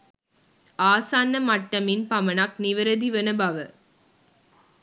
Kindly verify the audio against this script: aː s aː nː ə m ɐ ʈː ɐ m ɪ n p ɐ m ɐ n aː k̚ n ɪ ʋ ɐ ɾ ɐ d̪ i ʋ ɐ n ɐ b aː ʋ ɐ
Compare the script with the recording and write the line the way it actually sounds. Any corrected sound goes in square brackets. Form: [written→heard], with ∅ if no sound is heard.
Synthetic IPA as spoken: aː s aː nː [ə→ɐ] m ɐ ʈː ɐ m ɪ n p ɐ m ɐ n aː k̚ n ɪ ʋ ɐ ɾ ɐ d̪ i ʋ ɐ n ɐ b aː ʋ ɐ